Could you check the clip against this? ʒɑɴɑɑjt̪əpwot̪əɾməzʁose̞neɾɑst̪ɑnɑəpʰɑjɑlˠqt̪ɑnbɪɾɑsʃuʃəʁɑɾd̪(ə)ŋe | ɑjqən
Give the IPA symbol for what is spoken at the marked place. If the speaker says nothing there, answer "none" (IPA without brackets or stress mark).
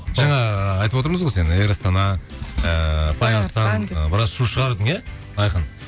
ə